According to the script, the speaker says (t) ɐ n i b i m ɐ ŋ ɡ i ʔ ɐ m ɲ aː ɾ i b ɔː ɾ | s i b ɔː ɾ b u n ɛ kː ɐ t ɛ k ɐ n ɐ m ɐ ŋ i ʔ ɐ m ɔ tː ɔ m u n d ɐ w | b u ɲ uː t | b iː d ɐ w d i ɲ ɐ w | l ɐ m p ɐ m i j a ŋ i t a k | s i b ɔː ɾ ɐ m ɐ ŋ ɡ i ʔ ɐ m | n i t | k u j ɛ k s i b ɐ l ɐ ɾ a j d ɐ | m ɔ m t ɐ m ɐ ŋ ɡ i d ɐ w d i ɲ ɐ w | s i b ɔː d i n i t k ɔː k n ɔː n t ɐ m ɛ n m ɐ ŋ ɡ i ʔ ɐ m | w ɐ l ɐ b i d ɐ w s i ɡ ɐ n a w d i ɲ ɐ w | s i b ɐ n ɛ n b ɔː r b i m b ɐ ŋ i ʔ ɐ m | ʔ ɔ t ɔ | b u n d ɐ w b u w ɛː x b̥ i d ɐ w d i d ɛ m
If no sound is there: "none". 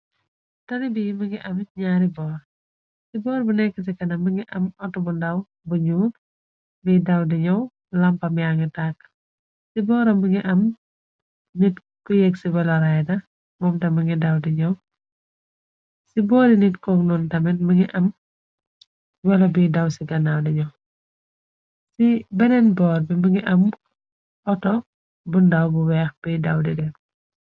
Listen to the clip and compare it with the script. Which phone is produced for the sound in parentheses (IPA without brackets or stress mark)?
t